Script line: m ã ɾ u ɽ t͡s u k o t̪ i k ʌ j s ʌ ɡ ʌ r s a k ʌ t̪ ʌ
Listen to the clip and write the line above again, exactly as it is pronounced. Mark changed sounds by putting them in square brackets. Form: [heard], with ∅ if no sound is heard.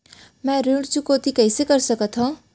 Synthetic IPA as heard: m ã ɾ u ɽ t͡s u k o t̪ i k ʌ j s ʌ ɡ ʌ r s [ʌ] k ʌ [t̪ʰ] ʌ